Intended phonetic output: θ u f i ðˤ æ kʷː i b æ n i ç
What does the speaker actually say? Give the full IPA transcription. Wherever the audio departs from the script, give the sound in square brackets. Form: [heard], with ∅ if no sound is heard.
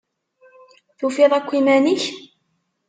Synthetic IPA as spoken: θ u f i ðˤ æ kʷː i [m] æ n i ç